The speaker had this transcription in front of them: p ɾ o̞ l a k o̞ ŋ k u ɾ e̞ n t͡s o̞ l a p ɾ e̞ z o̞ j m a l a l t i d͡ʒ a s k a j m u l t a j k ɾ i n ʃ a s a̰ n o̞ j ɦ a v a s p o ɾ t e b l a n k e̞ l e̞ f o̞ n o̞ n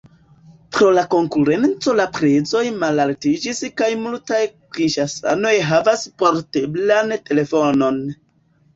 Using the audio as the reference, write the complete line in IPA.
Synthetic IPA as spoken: p ɾ o̞ l a k o̞ ŋ k u ɾ e̞ n t͡s o̞ l a p ɾ e̞ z o̞ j m a l a l t i d͡ʒ i s k a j m u l t a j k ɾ i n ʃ a s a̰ n o̞ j ɦ a v a s p o ɾ t e b l a n t e̞ l e̞ f o̞ n o̞ n